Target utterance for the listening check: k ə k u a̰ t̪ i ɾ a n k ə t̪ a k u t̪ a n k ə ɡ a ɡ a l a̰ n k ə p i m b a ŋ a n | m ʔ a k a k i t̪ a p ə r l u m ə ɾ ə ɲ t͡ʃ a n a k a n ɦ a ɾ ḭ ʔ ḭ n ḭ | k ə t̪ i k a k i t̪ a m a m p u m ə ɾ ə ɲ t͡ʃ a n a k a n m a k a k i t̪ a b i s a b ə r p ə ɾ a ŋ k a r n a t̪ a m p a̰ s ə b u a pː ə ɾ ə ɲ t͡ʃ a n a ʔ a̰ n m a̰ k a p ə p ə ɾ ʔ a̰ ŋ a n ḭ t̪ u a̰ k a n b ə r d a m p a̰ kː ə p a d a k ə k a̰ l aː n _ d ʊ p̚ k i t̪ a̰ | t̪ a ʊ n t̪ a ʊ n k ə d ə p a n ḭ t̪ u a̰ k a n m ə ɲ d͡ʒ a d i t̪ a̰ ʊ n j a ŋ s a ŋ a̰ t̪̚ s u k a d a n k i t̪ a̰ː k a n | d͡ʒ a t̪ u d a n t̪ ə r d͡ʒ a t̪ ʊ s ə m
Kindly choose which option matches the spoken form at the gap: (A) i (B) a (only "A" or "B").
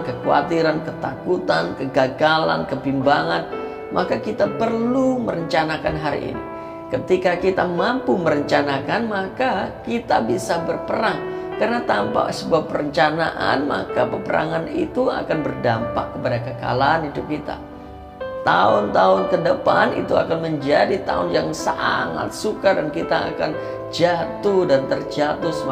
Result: A